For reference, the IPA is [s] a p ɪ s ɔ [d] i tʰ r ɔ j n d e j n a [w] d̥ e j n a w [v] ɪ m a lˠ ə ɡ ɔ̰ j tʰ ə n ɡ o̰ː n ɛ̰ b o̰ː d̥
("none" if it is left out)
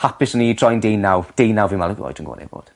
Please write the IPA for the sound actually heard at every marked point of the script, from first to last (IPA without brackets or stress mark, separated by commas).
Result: h, n, w, v